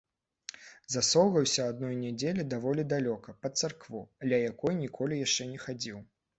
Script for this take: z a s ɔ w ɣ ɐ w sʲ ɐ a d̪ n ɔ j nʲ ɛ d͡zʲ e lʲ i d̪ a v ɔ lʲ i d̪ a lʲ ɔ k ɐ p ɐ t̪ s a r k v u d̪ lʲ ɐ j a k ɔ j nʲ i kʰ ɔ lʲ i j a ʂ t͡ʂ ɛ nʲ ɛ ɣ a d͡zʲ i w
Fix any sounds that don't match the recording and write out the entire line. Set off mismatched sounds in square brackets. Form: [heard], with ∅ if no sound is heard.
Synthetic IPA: z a s ɔ w ɣ ɐ w sʲ ɐ a d̪ n ɔ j nʲ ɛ d͡zʲ e lʲ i d̪ a v ɔ lʲ i d̪ a lʲ ɔ k ɐ p ɐ t̪ s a r k v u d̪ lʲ ɐ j a k ɔ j nʲ i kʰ ɔ lʲ i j a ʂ t͡ʂ ɛ nʲ ɛ [x] a d͡zʲ i w